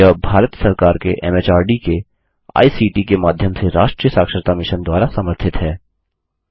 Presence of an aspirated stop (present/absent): present